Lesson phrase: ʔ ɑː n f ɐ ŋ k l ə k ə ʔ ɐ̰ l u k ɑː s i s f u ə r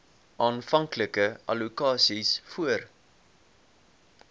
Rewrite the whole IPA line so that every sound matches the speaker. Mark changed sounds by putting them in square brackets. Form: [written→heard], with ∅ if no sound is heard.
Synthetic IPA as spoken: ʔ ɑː n f ɐ ŋ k l ə k ə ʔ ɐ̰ l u k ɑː s i s f u ə r